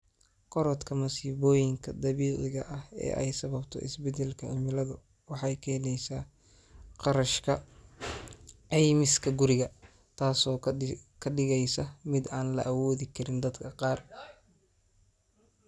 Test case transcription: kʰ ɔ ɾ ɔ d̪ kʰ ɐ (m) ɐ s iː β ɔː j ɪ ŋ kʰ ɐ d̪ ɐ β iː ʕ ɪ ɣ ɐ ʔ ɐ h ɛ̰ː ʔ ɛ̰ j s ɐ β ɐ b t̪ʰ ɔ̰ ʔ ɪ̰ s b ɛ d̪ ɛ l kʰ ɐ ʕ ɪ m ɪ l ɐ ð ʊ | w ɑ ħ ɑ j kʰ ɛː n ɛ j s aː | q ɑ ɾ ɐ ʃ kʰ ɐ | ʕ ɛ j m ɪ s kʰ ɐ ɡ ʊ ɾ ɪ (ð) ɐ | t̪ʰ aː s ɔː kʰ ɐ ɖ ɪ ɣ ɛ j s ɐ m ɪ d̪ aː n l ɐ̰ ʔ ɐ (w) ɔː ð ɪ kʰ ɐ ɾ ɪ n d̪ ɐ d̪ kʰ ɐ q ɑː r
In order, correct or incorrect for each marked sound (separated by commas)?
correct, incorrect, correct